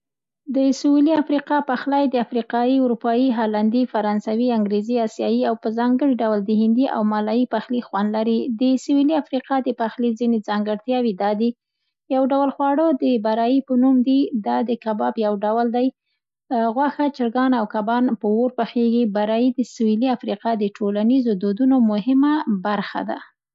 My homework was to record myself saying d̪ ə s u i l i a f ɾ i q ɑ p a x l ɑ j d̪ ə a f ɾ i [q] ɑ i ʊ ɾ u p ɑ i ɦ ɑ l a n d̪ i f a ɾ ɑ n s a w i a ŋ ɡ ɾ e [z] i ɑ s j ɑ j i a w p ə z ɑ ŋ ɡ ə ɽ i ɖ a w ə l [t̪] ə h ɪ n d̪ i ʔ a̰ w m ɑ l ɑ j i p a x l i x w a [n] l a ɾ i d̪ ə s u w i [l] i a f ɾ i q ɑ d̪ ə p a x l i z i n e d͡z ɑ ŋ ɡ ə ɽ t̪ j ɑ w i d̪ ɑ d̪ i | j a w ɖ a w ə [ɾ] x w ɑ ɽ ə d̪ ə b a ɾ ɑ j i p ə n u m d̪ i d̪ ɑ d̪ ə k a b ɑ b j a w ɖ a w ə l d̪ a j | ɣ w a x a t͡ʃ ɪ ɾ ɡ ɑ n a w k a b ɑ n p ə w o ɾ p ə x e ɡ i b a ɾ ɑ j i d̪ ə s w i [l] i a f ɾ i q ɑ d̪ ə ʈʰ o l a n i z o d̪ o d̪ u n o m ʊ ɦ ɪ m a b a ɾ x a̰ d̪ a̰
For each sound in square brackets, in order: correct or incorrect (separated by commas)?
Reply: correct, correct, incorrect, correct, correct, incorrect, correct